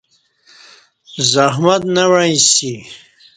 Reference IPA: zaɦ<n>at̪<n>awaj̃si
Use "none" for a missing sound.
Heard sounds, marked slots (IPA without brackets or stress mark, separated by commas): m, n